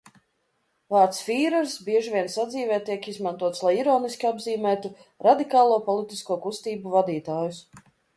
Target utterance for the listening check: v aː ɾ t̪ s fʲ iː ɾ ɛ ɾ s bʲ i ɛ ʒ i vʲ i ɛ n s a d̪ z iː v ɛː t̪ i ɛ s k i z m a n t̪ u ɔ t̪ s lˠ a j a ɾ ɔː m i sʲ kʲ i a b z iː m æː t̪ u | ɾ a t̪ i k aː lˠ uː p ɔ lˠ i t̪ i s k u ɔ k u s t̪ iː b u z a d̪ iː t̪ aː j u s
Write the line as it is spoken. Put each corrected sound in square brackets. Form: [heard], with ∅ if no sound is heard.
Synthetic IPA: v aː ɾ t̪ s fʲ iː ɾ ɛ ɾ s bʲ i ɛ ʒ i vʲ i ɛ n s a d̪ z iː v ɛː t̪ i ɛ [∅] k i z m a n t̪ u ɔ t̪ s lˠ a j [i] ɾ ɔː [n] i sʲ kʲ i a b z iː m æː t̪ u | ɾ a [d̪] i k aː lˠ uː p ɔ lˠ i t̪ i s k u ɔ k u s t̪ iː b u [v] a d̪ iː t̪ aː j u s